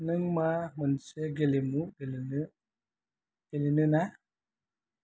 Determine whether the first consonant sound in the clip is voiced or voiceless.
voiced